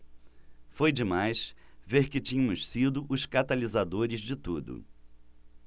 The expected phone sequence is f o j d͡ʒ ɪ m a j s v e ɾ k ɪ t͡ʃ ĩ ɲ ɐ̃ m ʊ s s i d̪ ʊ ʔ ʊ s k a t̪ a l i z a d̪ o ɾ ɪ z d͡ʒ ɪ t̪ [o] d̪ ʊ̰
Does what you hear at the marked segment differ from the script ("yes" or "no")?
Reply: yes